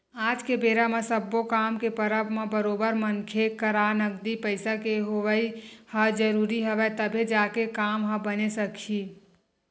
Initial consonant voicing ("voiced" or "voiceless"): voiced